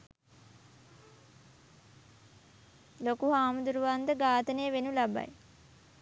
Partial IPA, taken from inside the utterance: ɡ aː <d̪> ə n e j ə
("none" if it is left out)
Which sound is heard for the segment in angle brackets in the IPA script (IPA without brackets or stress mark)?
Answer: t̪